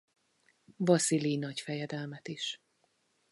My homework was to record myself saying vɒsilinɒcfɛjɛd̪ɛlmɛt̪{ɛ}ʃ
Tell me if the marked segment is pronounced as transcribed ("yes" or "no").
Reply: no